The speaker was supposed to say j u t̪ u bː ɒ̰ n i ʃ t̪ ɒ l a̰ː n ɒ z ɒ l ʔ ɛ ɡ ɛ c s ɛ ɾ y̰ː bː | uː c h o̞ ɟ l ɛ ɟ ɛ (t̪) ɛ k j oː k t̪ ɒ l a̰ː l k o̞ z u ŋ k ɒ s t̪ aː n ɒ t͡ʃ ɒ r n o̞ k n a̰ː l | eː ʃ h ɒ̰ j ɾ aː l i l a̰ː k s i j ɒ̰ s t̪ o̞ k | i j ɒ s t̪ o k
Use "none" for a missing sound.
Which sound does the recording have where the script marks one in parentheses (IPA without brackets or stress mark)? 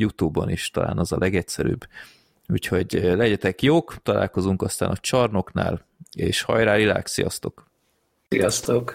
t̪